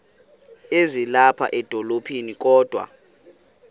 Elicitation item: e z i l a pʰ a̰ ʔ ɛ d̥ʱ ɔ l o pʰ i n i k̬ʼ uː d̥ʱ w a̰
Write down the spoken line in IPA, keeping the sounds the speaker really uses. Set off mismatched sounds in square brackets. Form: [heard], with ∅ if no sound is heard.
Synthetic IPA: e z i l a pʰ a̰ ʔ ɛ d̥ʱ ɔ l o pʰ i n i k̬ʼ [ɔː] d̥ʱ w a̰